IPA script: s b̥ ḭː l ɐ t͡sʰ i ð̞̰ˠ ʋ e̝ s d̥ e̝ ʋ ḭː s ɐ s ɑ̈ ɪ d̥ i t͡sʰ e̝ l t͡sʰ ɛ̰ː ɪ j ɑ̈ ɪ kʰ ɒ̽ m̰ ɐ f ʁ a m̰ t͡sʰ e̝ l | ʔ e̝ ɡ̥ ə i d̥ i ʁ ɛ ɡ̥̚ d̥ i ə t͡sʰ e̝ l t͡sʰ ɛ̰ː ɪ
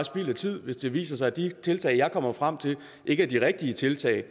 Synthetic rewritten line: s b̥ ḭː l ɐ t͡sʰ i ð̞̰ˠ ʋ e̝ s d̥ e̝ ʋ ḭː s ɐ s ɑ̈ ɪ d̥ i t͡sʰ e̝ l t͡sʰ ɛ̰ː ɪ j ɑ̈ ɪ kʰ ɒ̽ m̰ ɐ f ʁ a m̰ t͡sʰ e̝ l | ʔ e̝ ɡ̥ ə æ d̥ i ʁ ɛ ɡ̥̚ d̥ i ə t͡sʰ e̝ l t͡sʰ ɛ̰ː ɪ